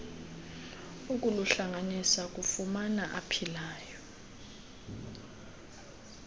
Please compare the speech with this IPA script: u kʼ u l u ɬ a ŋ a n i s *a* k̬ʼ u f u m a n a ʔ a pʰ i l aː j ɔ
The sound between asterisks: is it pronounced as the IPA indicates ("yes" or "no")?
yes